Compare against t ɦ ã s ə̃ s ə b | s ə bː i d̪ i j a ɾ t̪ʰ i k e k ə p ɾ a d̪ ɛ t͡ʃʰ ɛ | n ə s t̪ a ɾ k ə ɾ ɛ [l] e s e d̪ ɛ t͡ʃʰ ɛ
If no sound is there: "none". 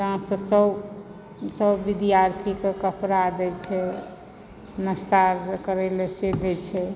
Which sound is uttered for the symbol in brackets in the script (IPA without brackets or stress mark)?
l